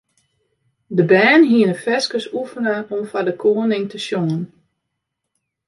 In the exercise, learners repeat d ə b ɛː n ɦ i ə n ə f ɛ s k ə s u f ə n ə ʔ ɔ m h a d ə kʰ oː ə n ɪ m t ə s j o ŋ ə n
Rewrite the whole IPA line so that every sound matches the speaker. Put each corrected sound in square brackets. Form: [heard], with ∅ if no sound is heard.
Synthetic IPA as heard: d ə b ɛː n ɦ i ə n ə f ɛ s k ə s u f ə n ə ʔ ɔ m [f] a d ə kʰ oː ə n ɪ [ŋ] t ə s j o ŋ ə n